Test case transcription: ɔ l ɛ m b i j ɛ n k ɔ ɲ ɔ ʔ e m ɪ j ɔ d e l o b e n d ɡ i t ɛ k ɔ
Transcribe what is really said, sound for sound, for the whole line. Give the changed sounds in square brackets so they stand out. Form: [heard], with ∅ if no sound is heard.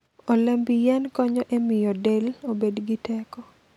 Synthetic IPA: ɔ l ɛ m b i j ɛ n k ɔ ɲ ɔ ʔ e m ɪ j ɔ d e l o b e [∅] d ɡ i t ɛ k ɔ